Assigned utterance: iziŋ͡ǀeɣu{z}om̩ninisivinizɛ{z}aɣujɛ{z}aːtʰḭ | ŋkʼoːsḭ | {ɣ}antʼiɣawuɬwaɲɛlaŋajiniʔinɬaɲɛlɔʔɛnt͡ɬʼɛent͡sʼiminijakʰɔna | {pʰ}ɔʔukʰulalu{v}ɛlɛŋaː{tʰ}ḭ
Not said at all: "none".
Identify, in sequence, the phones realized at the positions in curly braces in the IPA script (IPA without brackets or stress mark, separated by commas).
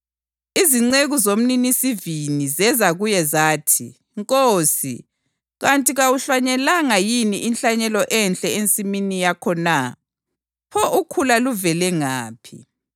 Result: z, z, z, ɣ, pʰ, v, pʰ